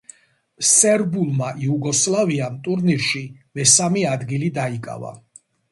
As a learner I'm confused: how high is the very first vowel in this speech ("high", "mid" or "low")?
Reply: mid